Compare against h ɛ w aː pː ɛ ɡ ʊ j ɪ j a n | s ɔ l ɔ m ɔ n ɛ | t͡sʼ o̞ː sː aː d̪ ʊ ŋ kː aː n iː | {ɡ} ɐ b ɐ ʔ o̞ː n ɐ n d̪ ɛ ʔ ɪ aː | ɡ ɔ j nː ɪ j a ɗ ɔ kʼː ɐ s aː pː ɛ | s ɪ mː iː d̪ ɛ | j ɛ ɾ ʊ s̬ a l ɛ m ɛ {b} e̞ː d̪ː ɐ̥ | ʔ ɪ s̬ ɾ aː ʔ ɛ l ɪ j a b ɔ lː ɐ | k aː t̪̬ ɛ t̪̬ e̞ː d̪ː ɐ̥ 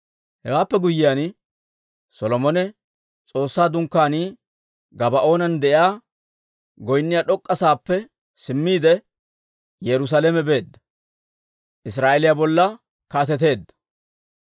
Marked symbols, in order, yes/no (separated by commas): yes, yes